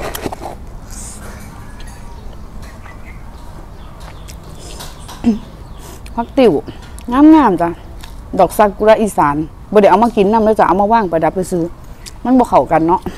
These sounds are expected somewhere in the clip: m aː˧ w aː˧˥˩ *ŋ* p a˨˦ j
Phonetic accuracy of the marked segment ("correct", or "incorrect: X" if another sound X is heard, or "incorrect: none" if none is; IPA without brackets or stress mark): correct